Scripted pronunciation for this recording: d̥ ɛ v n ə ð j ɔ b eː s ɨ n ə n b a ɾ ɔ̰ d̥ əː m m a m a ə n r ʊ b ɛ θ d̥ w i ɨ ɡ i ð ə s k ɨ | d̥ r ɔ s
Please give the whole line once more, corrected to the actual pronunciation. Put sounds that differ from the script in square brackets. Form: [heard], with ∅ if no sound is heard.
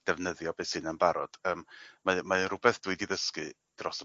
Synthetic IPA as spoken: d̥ ɛ v n ə ð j ɔ b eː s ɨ n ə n b a ɾ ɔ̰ d̥ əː m m a m a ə n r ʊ b ɛ θ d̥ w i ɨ [d] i ð ə s k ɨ | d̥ r ɔ s